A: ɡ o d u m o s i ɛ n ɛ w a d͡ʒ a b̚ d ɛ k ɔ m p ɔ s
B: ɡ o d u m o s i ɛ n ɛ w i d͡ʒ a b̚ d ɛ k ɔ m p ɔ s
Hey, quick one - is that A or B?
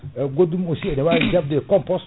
A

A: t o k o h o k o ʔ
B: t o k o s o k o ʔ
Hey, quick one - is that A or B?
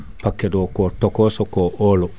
B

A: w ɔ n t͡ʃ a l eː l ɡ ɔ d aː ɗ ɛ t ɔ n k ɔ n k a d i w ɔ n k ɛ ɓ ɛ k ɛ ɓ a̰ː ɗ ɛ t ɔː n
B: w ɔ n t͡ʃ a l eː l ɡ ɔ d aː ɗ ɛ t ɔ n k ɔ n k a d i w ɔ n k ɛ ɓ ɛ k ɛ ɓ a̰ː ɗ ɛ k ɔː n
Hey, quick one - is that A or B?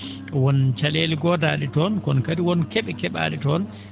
A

